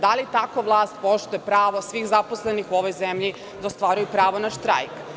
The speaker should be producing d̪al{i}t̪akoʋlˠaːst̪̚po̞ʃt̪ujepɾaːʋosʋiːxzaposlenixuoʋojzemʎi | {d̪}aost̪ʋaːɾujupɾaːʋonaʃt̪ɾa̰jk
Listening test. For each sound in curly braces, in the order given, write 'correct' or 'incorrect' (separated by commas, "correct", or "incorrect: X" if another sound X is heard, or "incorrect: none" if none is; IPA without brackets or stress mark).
correct, correct